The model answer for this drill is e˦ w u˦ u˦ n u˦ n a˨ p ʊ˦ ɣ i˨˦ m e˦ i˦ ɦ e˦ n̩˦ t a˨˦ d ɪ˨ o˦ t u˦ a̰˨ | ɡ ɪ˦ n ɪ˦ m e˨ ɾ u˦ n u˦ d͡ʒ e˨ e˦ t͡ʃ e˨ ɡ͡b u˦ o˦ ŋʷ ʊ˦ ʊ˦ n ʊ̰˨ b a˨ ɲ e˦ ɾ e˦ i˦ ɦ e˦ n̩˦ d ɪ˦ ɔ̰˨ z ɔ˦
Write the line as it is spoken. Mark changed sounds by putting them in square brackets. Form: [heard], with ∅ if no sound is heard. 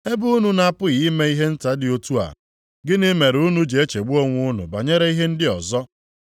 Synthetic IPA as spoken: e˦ [b] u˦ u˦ n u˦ n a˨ p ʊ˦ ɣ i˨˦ m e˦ i˦ ɦ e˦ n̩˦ t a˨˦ d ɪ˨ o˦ t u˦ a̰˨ | ɡ ɪ˦ n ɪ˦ m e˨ ɾ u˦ n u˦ d͡ʒ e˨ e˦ t͡ʃ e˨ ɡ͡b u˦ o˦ ŋʷ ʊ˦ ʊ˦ n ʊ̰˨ b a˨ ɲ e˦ ɾ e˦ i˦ ɦ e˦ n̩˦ d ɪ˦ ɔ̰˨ z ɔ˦